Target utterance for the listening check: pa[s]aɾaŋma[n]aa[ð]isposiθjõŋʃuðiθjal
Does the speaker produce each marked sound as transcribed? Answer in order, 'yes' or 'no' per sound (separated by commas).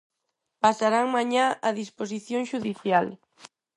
yes, no, yes